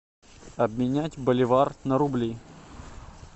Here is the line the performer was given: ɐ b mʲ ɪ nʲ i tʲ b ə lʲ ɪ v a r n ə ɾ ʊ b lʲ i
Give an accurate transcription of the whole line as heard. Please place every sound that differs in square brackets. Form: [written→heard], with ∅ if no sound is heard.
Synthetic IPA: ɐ b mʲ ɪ nʲ [i→æ] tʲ b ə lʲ ɪ v a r n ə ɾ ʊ b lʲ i